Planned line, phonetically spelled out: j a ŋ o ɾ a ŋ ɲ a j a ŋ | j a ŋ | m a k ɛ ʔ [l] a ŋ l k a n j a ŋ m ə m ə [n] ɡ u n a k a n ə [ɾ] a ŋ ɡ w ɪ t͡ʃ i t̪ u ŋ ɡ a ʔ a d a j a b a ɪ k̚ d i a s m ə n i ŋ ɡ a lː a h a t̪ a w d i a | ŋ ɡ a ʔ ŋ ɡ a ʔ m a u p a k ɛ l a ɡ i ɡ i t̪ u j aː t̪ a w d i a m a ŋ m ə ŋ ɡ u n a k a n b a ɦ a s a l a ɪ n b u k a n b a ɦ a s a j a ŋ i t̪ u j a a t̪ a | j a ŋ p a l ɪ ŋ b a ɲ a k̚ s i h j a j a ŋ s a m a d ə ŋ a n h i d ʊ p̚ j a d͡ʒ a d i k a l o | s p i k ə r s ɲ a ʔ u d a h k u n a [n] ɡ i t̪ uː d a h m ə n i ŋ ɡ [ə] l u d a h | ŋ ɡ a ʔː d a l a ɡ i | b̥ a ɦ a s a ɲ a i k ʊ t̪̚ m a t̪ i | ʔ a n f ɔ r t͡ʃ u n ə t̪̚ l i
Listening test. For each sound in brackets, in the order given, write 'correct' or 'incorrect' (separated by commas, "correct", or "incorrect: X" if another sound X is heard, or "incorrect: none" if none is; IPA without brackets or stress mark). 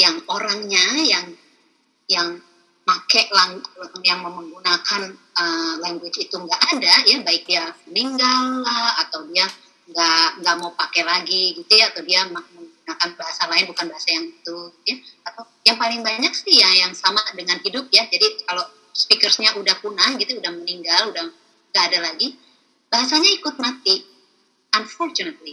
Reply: correct, incorrect: ŋ, incorrect: l, incorrect: ŋ, incorrect: a